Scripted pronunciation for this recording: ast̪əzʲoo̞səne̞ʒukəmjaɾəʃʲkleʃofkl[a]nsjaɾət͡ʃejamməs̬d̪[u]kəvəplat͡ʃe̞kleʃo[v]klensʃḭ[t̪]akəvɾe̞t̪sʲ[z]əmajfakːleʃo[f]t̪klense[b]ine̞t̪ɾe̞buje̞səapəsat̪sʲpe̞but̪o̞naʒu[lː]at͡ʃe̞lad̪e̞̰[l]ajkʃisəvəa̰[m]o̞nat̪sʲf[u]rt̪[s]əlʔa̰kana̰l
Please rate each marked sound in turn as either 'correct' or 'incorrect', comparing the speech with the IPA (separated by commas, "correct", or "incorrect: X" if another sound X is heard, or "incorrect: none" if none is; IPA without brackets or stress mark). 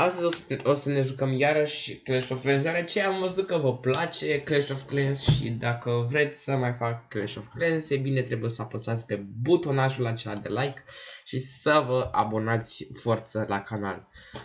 incorrect: e, correct, incorrect: f, incorrect: d̪, incorrect: s, correct, correct, incorrect: l, correct, incorrect: b, incorrect: o, correct